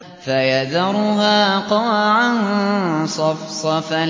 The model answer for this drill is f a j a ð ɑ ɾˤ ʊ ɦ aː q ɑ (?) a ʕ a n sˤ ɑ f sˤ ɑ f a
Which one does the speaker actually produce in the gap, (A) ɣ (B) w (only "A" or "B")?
B